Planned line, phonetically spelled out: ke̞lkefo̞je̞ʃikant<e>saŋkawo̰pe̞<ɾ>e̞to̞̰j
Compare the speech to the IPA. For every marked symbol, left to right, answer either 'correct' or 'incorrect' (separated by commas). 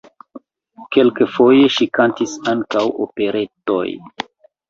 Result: incorrect, correct